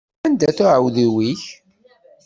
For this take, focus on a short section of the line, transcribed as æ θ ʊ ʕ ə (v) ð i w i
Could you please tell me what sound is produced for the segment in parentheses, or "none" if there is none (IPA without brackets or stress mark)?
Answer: w